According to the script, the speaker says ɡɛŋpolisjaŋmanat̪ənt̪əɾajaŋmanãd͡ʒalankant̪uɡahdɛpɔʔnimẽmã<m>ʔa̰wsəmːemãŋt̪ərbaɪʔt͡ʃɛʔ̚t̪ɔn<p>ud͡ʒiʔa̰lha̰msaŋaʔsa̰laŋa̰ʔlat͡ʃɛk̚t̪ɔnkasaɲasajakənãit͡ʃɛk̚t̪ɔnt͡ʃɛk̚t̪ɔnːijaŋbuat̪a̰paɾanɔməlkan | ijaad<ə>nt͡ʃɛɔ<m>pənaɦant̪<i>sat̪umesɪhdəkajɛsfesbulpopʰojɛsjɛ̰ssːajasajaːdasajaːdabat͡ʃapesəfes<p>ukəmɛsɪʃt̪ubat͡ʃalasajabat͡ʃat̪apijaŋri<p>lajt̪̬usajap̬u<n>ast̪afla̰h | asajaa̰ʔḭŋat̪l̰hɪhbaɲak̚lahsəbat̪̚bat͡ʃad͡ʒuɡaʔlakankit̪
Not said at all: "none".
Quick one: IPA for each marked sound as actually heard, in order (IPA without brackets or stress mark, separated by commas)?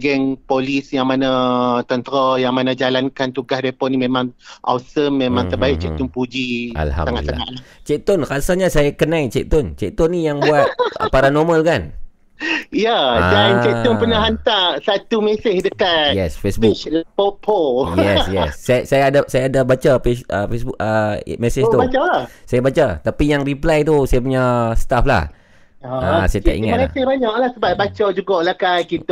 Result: ŋ, p, a, n, a, b, p, ɲ